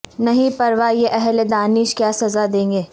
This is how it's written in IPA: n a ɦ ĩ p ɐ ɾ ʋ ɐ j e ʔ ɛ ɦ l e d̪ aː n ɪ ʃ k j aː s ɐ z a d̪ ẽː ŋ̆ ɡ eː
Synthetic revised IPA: n ɐ ɦ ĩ p ɐ ɾ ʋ a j e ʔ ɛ ɦ l e d̪ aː n ɪ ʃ k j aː s ɐ z a d̪ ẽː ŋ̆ ɡ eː